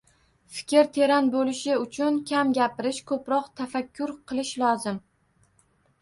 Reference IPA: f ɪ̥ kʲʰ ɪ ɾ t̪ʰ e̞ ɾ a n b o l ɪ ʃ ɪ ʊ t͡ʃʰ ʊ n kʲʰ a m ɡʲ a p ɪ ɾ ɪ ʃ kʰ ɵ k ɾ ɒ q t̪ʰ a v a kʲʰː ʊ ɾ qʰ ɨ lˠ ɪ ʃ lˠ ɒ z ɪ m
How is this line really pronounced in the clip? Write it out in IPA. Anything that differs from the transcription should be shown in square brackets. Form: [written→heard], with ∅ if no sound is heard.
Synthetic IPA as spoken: f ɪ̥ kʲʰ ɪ ɾ t̪ʰ e̞ ɾ a n b o l ɪ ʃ ɪ ʊ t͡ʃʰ ʊ n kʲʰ a m ɡʲ a p ɪ ɾ ɪ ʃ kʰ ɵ [k→p] ɾ ɒ q t̪ʰ a [v→f] a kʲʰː ʊ ɾ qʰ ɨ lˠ ɪ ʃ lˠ ɒ z ɪ m